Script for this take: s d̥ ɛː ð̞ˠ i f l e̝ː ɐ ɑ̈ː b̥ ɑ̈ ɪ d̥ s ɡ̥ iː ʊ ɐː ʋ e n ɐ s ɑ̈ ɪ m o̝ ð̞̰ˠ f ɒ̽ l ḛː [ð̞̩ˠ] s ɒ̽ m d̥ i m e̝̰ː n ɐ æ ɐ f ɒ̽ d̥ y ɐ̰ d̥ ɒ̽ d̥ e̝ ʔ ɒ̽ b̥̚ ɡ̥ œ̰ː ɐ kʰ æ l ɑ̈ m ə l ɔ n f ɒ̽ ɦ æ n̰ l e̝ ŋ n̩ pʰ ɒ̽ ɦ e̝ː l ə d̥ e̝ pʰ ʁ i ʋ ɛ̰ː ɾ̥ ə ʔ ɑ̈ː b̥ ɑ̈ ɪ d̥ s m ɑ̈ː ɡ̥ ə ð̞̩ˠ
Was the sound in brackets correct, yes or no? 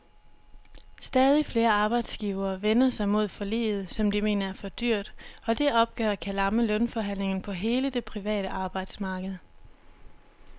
yes